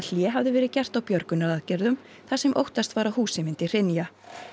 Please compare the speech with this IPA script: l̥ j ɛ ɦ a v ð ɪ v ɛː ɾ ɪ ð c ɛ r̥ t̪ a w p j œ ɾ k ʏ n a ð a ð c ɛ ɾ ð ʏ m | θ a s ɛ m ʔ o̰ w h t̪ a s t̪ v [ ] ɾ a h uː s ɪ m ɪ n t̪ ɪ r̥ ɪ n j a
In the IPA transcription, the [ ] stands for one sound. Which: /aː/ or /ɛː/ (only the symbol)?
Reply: aː